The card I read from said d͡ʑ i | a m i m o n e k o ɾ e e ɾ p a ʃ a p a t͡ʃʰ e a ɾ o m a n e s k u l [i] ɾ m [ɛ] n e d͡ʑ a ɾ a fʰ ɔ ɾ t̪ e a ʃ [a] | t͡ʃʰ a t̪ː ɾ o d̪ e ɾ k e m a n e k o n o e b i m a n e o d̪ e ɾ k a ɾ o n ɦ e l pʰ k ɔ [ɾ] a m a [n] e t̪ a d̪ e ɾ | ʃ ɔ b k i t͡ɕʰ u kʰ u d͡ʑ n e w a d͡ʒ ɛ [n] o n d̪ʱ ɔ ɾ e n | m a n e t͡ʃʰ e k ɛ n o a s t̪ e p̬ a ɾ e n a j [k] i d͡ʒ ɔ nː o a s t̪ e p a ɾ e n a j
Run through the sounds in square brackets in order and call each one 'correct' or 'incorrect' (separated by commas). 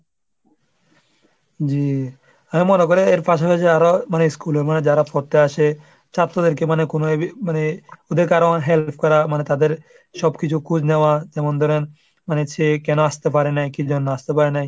incorrect, incorrect, incorrect, correct, correct, incorrect, correct